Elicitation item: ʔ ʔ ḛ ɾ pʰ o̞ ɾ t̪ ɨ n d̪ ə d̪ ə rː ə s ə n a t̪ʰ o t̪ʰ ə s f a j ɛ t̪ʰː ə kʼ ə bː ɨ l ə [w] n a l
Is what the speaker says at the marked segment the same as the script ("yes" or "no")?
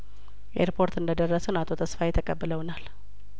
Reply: yes